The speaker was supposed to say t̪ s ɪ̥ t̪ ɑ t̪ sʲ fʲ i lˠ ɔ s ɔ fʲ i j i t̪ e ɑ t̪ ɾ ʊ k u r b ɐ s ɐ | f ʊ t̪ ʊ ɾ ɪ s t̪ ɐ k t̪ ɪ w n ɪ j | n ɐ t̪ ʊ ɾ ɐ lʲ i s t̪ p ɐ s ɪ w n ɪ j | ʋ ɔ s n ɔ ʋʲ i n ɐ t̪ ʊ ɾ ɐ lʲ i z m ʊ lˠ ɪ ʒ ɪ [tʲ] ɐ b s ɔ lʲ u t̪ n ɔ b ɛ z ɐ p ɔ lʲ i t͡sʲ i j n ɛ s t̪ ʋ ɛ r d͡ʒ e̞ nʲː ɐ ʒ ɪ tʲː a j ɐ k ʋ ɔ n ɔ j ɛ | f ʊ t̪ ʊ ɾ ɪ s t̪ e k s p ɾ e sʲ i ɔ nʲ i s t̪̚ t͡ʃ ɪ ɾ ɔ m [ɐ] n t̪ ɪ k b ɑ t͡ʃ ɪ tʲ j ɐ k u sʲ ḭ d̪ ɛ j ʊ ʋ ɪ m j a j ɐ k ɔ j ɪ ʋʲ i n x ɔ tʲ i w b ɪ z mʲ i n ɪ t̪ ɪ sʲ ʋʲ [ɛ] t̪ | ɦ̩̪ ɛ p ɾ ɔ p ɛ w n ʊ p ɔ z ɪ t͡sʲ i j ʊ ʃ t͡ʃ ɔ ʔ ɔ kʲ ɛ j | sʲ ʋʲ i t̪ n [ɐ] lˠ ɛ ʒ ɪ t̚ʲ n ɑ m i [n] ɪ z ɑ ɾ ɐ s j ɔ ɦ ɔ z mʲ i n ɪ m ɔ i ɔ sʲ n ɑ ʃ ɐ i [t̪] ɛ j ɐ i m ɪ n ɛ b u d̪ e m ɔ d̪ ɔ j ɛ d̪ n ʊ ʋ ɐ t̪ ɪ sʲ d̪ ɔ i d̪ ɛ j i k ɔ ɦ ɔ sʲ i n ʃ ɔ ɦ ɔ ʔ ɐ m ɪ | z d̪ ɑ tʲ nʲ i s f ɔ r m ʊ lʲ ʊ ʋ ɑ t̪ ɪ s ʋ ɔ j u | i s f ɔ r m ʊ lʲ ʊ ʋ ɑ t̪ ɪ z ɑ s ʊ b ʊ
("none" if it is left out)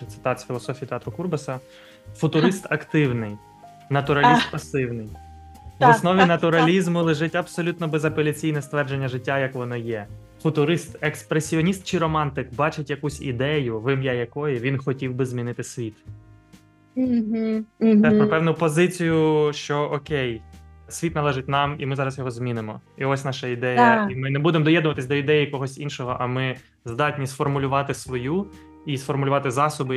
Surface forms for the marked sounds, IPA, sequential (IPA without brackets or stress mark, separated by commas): tʲ, ɑ, i, ɐ, m, d̪